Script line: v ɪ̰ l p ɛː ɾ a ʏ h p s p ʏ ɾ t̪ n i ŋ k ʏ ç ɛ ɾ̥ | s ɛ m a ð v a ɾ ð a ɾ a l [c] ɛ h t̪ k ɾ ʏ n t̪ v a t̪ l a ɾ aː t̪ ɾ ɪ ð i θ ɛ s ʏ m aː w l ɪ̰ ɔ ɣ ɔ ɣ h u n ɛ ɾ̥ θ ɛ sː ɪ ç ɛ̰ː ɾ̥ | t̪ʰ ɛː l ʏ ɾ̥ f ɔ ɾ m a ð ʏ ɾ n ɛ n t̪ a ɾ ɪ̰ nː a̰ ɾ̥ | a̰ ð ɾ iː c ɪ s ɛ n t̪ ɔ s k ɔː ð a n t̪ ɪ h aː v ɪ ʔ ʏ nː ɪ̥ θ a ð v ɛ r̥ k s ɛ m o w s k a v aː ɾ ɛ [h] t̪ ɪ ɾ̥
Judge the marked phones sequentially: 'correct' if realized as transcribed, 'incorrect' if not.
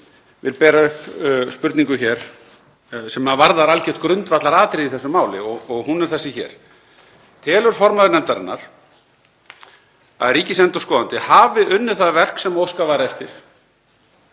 correct, incorrect

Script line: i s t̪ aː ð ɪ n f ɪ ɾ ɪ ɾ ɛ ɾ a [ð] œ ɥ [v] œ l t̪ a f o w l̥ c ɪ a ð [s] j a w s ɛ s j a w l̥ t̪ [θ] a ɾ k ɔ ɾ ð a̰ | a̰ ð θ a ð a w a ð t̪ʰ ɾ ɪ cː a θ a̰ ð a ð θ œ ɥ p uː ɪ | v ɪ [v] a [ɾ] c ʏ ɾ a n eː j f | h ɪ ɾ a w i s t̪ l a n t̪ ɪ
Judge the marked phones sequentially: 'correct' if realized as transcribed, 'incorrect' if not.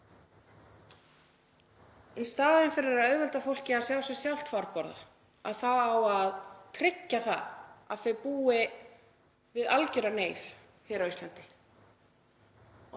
correct, correct, correct, incorrect, incorrect, incorrect

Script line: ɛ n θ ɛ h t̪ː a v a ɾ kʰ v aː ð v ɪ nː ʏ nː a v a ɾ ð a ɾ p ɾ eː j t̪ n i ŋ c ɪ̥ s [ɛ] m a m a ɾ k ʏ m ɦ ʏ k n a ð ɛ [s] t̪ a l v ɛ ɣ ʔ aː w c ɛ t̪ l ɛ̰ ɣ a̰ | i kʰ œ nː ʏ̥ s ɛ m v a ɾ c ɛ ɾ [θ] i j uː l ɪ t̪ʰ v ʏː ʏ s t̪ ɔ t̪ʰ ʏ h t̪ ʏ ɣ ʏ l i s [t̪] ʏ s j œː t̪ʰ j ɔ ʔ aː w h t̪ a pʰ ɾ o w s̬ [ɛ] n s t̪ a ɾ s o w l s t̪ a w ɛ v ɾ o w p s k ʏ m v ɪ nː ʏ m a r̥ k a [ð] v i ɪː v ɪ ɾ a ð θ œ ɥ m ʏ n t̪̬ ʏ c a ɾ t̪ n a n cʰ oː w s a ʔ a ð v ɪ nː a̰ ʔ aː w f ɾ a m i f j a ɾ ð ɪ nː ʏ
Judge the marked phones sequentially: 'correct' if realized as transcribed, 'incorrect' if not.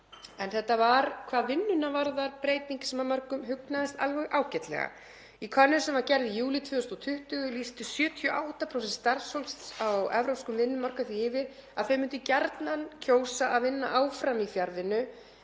correct, correct, incorrect, correct, correct, incorrect

